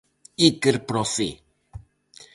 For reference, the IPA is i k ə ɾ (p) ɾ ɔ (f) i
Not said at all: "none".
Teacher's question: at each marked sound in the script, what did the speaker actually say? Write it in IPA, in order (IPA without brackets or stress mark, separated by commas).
p, f